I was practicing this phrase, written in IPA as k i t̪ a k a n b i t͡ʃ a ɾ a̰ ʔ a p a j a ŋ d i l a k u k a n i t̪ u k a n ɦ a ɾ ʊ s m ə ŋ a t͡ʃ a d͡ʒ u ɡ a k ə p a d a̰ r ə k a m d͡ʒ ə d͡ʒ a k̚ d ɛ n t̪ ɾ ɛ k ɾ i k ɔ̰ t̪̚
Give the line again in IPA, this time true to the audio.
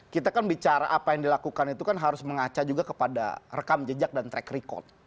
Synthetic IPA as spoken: k i t̪ a k a n b i t͡ʃ a ɾ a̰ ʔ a p a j a ŋ d i l a k u k a n i t̪ u k a n ɦ a ɾ ʊ s m ə ŋ a t͡ʃ a d͡ʒ u ɡ a k ə p a d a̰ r ə k a m d͡ʒ ə d͡ʒ a k̚ d a n t̪ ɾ ɛ k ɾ i k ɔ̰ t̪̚